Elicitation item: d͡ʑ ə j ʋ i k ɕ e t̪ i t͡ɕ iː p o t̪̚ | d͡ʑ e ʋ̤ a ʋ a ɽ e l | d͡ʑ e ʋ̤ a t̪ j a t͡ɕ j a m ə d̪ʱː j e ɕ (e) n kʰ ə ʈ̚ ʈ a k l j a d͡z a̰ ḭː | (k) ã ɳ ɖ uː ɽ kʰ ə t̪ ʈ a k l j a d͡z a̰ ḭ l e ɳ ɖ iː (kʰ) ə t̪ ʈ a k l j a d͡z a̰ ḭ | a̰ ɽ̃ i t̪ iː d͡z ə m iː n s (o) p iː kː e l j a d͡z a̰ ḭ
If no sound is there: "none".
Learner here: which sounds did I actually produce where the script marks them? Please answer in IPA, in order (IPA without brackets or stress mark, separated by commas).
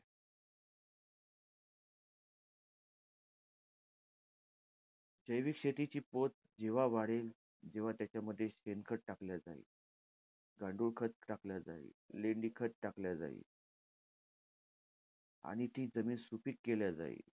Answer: e, ɡ, kʰ, u